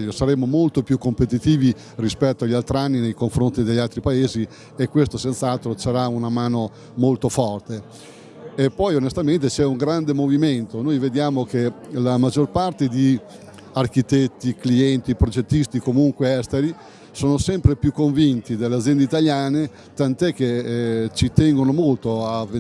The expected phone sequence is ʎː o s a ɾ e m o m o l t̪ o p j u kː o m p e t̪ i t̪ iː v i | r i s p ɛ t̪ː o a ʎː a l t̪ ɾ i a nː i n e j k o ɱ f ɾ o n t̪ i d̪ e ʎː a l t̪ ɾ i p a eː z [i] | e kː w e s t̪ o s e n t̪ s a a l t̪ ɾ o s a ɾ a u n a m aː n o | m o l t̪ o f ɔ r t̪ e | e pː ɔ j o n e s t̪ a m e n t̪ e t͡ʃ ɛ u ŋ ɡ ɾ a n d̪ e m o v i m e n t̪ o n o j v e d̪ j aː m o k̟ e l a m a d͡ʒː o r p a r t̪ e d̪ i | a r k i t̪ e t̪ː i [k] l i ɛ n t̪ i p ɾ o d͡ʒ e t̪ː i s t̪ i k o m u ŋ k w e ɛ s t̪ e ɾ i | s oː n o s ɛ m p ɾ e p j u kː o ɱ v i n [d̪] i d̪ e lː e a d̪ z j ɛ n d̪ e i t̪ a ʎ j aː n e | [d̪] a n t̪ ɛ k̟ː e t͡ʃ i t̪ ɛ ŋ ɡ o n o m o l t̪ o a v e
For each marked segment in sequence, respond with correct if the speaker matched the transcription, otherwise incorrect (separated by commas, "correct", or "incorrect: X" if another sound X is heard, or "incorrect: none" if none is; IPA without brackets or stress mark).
correct, correct, incorrect: t̪, incorrect: t̪